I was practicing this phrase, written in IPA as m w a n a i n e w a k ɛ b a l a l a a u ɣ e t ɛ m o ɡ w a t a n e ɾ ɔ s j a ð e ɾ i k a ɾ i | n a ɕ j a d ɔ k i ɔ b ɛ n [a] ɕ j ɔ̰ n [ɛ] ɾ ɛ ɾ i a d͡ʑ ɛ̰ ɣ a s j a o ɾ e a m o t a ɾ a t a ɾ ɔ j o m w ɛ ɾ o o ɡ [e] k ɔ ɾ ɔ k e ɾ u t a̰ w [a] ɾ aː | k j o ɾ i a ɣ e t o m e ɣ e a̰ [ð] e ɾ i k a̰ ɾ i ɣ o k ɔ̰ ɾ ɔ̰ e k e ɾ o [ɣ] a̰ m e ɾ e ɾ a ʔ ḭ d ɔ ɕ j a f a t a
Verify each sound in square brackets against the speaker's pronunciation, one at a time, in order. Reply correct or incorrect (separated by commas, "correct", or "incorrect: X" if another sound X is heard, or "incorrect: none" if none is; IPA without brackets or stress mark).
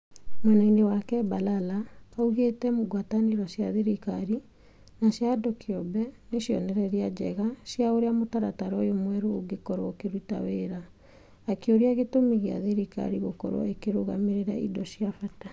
incorrect: e, correct, correct, incorrect: e, correct, correct